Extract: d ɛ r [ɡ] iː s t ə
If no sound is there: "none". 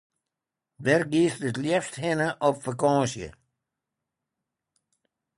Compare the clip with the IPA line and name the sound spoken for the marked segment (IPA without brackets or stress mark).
ɡ